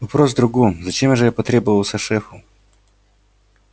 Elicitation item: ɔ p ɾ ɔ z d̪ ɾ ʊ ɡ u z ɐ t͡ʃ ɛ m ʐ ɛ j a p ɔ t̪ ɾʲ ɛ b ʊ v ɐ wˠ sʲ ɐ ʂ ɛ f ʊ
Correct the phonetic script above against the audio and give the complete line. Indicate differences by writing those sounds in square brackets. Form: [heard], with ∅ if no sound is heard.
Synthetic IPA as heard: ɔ p ɾ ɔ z d̪ ɾ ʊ ɡ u z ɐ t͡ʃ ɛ m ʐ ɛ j a p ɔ t̪ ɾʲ ɛ b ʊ v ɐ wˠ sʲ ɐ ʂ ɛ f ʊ